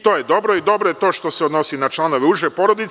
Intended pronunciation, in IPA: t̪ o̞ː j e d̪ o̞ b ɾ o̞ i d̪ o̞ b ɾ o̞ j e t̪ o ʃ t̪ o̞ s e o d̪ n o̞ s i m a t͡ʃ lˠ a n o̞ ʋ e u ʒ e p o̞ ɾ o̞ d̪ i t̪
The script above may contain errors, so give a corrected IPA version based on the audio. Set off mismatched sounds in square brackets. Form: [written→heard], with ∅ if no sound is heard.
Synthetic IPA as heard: t̪ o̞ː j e d̪ o̞ b ɾ o̞ i d̪ o̞ b ɾ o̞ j e t̪ o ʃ t̪ o̞ s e o d̪ n o̞ s i [m→n] a t͡ʃ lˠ a n o̞ ʋ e u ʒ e p o̞ ɾ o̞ d̪ i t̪